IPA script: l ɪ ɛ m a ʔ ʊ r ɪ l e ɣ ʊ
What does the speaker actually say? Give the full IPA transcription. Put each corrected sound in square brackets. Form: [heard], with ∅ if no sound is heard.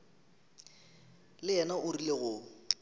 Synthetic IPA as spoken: l ɪ ɛ [n] a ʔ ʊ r [i] l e ɣ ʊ